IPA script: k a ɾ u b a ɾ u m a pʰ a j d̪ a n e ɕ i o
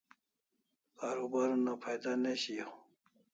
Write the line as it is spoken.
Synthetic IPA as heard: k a ɾ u b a ɾ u n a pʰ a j d̪ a n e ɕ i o

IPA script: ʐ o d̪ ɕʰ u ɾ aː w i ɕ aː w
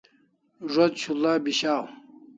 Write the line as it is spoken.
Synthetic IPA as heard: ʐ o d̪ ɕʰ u l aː b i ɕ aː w

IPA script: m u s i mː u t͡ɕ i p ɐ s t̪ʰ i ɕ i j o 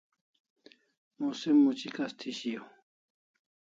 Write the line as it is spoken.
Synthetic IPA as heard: m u s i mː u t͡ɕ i k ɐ s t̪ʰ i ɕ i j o

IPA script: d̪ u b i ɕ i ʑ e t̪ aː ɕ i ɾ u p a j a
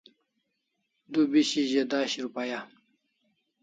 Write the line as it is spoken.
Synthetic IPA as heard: d̪ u b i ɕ i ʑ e d̪ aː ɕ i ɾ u p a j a

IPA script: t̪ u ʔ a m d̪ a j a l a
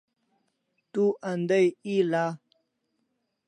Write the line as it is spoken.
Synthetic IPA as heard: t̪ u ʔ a n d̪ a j i l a

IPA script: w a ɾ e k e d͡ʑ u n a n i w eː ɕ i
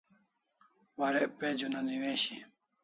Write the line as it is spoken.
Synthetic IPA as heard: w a ɾ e p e d͡ʑ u n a n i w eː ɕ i

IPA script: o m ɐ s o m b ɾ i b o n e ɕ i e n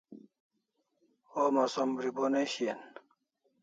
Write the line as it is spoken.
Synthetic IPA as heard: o m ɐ s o m b ɾ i b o n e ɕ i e n

